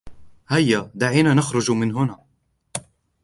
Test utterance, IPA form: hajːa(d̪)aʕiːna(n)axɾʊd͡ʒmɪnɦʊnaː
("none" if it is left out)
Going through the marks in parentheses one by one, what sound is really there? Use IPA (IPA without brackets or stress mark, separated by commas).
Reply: d̪, n